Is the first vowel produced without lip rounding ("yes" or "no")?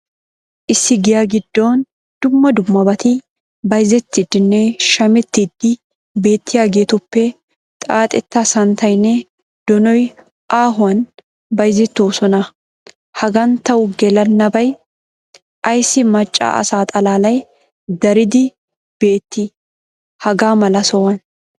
yes